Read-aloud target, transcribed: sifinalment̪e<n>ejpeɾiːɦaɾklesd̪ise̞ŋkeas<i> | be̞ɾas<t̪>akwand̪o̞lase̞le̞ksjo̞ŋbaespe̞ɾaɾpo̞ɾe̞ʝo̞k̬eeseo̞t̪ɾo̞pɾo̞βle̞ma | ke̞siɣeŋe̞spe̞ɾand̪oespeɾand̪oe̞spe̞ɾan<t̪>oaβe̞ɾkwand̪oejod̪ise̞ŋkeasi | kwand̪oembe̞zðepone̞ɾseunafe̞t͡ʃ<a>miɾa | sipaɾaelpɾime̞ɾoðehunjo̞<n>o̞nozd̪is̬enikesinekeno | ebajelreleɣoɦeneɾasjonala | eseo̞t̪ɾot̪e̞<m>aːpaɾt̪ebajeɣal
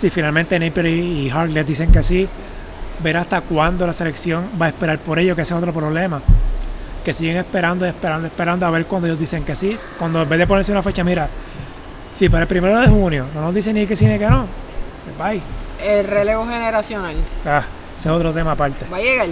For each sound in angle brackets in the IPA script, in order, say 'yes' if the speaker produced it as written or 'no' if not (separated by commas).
yes, yes, yes, no, yes, yes, yes